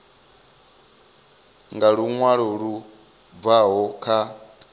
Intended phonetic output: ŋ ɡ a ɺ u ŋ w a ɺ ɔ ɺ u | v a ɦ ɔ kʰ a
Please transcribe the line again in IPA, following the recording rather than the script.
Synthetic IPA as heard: ŋ ɡ a ɺ u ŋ w a ɺ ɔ ɺ u | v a ɦ ɔ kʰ a